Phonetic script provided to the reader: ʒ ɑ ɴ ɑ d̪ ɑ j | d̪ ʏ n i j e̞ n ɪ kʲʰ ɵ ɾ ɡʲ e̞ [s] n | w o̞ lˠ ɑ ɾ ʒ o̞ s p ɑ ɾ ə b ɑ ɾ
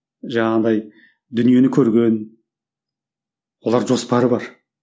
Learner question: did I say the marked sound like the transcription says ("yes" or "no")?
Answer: no